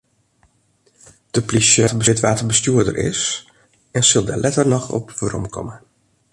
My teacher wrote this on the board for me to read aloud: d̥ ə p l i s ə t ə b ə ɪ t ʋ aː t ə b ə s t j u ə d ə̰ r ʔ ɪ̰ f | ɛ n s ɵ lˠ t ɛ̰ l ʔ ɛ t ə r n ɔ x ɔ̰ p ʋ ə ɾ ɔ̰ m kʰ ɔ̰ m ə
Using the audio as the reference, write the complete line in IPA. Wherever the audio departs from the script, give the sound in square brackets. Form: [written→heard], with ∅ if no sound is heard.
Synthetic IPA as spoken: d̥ ə p l i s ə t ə b ə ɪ t ʋ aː t ə b ə s t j u ə d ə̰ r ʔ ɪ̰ [f→s] | ɛ n s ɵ lˠ [t→d] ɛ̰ l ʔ ɛ t ə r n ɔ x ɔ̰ p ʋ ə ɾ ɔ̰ m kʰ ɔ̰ m ə

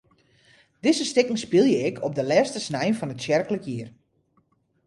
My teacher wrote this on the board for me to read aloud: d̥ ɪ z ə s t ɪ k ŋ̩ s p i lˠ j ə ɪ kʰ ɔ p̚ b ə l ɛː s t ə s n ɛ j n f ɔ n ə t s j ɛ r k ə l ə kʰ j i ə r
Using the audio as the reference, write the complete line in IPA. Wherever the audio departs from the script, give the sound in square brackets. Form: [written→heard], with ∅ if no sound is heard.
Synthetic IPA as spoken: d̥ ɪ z ə s t ɪ k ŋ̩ s p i lˠ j ə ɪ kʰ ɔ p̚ [b→d] ə l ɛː s t ə s n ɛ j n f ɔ n ə t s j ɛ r k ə l ə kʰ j i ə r

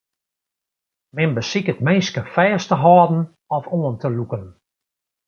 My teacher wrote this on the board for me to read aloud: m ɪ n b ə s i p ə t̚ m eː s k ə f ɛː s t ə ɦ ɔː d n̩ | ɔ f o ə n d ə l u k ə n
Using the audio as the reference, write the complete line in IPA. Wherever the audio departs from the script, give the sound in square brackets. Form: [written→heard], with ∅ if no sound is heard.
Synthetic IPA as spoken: m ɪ n b ə s i [p→k] ə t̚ m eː s k ə f ɛː s t ə ɦ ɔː d n̩ | ɔ f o ə n [d→t] ə l u k ə n

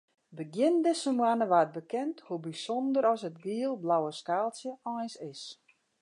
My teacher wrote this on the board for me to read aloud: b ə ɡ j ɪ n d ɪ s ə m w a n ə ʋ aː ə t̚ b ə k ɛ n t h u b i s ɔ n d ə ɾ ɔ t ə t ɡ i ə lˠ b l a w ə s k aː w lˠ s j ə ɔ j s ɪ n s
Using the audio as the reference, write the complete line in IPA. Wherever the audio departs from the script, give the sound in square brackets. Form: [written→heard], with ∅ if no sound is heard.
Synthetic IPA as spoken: b ə ɡ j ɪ n d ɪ s ə m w a n ə ʋ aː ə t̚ b ə k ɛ n t h u b i s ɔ n d ə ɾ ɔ [t→s] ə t ɡ i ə lˠ b l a w ə s k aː [w→∅] lˠ s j ə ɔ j s ɪ [n→∅] s

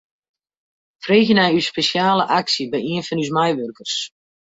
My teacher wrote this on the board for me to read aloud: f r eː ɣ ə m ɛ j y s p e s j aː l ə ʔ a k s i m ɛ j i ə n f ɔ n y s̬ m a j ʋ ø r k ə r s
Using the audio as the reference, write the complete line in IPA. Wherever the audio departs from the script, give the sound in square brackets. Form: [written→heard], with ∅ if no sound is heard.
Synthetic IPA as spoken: f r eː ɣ ə [m→n] ɛ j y s p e s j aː l ə ʔ a k s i [m→b] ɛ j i ə n f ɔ n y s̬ m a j ʋ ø r k ə r s

